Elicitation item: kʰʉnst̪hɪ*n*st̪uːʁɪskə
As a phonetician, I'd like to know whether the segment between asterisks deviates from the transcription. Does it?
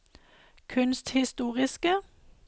yes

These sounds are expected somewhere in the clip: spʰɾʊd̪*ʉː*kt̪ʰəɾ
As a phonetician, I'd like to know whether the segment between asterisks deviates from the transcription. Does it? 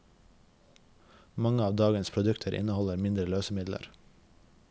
yes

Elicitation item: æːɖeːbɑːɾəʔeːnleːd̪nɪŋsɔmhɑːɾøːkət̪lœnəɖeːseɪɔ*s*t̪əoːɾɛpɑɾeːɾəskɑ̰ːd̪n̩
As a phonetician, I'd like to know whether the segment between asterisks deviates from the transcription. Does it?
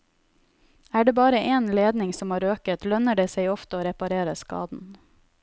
yes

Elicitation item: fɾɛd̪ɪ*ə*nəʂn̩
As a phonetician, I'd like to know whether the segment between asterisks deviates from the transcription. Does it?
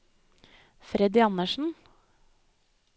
yes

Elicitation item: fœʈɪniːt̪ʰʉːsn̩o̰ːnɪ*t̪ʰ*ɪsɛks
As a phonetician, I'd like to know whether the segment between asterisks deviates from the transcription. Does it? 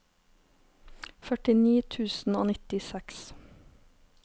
yes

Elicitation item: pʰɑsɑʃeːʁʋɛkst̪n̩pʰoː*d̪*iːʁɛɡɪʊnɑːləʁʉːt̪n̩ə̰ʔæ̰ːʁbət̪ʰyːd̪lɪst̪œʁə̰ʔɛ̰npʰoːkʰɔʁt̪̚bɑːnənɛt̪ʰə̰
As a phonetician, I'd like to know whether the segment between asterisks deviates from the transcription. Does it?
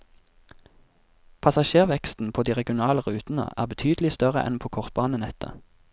no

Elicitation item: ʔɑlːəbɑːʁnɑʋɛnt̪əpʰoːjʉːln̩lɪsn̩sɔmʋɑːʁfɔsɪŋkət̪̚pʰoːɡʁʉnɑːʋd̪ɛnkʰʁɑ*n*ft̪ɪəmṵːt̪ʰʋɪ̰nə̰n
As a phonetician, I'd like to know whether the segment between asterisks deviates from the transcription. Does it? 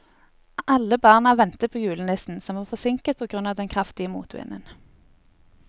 yes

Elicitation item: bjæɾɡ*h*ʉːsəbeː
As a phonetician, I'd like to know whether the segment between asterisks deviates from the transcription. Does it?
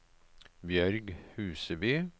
no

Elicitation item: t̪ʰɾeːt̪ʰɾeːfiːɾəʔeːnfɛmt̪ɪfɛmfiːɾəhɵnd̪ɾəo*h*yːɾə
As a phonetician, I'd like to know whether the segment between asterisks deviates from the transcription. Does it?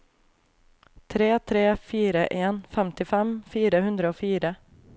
yes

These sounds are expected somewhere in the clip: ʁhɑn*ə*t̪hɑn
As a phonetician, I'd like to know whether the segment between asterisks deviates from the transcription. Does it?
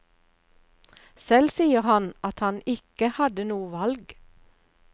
yes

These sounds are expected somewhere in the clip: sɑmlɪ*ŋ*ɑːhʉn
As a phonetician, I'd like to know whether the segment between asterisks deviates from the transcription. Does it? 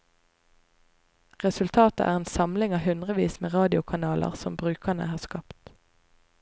no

